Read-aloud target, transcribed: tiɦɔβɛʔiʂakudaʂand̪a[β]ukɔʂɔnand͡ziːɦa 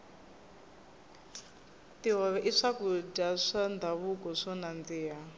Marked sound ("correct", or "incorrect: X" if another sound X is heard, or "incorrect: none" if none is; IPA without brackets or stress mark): correct